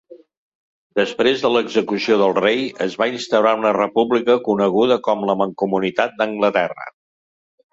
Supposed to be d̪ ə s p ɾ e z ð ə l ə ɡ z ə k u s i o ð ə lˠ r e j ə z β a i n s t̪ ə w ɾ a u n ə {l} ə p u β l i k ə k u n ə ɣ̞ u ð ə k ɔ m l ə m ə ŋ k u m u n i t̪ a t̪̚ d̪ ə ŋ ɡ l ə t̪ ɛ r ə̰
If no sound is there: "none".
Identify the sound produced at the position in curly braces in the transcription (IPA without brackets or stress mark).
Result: r